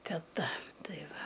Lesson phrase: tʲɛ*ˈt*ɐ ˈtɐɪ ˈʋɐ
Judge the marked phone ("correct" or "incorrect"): correct